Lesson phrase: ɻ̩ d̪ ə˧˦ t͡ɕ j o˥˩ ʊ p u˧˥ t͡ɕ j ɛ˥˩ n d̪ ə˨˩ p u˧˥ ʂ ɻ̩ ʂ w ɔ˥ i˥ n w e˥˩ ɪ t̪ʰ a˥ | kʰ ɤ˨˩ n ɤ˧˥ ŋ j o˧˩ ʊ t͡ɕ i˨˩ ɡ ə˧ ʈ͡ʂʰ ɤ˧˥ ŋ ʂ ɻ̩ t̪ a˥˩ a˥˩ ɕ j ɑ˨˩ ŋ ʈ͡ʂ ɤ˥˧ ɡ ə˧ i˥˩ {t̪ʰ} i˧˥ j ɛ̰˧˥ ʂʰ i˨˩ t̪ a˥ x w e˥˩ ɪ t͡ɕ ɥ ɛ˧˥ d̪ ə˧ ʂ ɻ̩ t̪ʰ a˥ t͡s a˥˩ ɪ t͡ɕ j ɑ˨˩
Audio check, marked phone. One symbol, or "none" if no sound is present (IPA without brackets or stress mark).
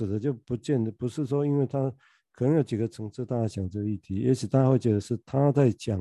t̪ʰ